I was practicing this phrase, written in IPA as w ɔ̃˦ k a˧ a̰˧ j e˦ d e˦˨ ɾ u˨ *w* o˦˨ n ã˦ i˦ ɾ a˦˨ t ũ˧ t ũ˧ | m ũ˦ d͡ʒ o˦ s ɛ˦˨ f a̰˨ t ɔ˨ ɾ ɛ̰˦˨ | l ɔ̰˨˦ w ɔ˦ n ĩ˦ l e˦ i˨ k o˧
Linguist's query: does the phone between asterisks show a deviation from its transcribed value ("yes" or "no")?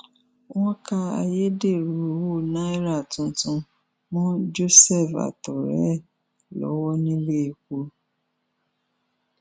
no